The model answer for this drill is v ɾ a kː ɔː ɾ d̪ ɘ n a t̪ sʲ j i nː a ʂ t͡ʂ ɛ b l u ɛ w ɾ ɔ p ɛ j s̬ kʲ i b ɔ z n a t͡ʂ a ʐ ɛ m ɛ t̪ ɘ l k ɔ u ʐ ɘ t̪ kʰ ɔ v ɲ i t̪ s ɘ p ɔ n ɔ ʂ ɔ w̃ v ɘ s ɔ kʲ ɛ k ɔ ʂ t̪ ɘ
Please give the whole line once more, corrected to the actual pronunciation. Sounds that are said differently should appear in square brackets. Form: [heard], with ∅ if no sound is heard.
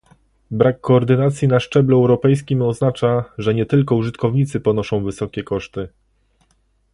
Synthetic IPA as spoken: [b] ɾ a kː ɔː ɾ d̪ ɘ n a t̪ sʲ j i [n] a ʂ t͡ʂ ɛ b l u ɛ w ɾ ɔ p ɛ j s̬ kʲ i [m] ɔ z n a t͡ʂ a ʐ ɛ [ɲ] ɛ t̪ ɘ l k ɔ u ʐ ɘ t̪ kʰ ɔ v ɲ i t̪ s ɘ p ɔ n ɔ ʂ [ɔ̃] w̃ v ɘ s ɔ kʲ ɛ k ɔ ʂ t̪ ɘ